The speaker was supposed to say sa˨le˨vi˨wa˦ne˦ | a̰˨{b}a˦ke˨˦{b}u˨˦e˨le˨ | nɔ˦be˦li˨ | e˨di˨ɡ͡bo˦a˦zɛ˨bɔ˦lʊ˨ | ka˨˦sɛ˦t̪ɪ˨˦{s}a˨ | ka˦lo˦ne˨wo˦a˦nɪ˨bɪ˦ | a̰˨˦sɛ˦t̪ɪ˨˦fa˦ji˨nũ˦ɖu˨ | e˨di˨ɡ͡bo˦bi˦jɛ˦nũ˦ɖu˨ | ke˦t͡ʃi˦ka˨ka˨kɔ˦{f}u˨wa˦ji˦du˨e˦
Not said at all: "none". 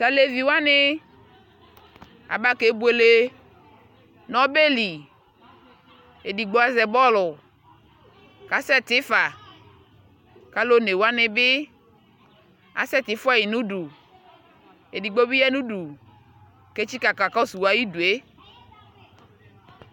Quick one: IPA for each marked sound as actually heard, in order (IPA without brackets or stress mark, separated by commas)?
b, b, f, s